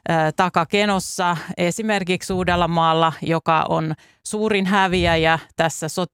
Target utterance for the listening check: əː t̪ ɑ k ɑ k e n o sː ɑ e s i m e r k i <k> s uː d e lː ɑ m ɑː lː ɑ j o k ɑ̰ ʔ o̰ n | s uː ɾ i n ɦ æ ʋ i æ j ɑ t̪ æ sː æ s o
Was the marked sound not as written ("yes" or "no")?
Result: no